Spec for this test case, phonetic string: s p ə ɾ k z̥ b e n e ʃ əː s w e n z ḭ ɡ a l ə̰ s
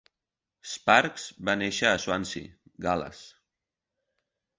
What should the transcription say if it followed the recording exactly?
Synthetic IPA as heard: s p a ɾ k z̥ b a n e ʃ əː s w a n s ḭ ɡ a l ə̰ s